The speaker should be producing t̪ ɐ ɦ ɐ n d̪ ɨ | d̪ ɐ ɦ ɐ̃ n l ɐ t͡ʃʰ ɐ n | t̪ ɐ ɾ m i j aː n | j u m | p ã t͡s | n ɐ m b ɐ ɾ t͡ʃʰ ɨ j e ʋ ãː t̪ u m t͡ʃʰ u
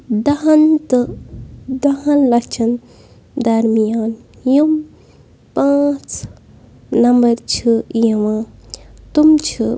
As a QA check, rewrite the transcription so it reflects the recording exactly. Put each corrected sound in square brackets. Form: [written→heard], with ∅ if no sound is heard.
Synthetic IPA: [t̪→d̪] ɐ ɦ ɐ n [d̪→t̪] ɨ | d̪ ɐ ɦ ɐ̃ n l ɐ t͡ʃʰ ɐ n | [t̪→d̪] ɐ ɾ m i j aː n | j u m | p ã t͡s | n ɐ m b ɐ ɾ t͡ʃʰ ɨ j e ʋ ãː t̪ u m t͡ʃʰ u